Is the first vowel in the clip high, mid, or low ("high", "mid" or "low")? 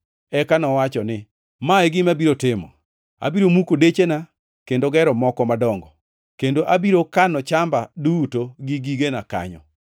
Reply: mid